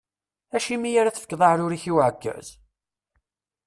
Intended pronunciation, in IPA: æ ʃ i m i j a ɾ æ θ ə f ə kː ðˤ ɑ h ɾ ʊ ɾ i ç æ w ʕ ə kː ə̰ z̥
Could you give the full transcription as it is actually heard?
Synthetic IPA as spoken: æ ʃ i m i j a ɾ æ θ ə f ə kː ðˤ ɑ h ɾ ʊ ɾ i ç i w ʕ ə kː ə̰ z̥

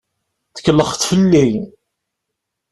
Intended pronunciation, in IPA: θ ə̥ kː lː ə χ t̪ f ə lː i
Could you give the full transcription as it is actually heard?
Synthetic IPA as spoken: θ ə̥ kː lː ə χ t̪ f ə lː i

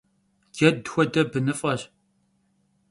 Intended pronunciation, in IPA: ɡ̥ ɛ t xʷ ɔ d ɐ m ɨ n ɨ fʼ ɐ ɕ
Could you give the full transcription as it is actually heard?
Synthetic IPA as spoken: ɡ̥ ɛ d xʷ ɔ d ɐ b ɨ n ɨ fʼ ɐ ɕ

